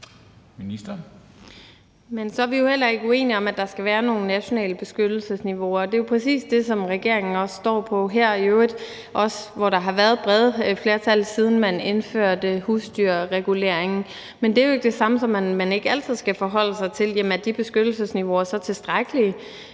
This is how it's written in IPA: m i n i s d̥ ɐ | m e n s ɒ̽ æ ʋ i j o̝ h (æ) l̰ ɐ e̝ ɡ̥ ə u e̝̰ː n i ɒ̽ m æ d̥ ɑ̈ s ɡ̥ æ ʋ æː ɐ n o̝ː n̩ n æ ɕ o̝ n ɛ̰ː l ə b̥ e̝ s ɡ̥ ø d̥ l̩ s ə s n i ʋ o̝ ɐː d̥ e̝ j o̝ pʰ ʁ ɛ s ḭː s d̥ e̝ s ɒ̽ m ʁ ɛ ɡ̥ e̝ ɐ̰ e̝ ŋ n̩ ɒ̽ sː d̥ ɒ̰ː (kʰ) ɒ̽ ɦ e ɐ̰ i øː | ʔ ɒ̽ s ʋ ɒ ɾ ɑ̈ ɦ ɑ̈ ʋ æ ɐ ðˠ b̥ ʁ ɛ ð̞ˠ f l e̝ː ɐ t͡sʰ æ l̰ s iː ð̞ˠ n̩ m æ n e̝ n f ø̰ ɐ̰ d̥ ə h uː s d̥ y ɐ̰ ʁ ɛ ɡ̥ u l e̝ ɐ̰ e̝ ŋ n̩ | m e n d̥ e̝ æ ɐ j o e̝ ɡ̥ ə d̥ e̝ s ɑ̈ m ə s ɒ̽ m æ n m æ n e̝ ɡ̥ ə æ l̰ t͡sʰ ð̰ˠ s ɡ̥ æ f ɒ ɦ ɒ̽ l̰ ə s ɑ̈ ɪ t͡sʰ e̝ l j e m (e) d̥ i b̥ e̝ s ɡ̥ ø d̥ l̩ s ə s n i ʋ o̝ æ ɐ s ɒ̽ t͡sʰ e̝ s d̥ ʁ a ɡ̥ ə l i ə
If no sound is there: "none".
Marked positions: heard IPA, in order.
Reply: e, pʰ, æ

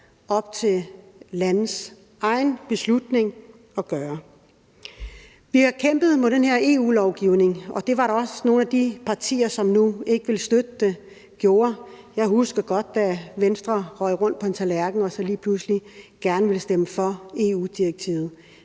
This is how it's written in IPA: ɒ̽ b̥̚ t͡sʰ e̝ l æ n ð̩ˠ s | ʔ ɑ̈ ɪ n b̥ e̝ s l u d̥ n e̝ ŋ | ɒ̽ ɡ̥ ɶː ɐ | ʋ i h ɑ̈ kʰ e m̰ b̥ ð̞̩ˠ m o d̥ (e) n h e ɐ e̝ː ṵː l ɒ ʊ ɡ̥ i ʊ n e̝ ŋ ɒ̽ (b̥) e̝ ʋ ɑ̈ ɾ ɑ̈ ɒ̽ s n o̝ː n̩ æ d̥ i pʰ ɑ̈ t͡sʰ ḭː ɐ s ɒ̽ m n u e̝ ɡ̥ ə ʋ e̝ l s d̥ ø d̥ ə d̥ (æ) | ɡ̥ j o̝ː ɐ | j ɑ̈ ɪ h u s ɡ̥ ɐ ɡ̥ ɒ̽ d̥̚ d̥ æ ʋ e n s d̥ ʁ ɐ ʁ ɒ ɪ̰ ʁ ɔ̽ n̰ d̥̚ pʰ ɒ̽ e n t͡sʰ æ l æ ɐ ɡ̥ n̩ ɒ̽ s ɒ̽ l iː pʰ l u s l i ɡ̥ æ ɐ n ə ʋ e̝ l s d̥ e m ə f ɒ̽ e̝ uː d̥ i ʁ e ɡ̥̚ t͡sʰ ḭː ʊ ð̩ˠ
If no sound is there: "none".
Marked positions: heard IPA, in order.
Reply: e, d̥, e

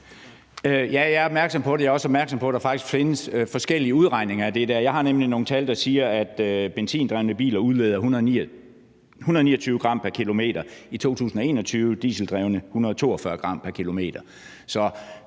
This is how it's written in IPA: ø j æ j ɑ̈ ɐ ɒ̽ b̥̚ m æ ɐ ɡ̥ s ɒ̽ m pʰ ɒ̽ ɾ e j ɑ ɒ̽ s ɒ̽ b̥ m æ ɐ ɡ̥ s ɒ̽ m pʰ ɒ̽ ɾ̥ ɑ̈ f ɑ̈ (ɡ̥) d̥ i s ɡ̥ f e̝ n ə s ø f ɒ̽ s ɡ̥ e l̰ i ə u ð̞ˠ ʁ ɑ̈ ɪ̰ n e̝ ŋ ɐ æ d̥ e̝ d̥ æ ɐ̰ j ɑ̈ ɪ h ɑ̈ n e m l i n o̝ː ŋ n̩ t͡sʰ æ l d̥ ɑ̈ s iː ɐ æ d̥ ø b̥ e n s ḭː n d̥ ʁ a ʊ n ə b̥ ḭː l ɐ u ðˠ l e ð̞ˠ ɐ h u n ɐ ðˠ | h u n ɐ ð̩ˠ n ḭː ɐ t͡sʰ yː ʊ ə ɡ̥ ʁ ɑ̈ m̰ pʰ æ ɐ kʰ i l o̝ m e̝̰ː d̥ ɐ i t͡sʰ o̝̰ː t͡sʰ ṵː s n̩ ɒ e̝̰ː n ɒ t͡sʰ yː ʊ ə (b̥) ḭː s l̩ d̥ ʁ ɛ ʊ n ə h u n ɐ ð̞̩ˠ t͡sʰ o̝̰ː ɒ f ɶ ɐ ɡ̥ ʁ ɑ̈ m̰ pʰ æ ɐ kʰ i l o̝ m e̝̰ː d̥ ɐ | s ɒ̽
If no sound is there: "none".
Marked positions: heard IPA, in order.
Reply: ɡ̥, d̥

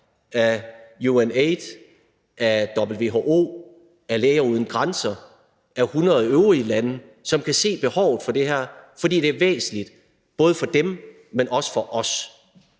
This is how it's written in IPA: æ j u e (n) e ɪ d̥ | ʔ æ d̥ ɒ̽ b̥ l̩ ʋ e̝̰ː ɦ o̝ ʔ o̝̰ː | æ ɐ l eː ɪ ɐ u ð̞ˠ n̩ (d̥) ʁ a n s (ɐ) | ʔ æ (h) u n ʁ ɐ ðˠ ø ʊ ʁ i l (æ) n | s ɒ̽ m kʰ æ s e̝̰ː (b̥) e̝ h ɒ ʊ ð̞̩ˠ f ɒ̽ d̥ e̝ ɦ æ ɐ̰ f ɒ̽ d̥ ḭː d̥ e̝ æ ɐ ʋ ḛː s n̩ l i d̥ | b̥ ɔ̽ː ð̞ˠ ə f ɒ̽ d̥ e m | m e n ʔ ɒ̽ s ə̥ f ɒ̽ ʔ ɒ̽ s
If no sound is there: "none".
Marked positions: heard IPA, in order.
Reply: n, ɡ̥, ɐ, h, æ, b̥

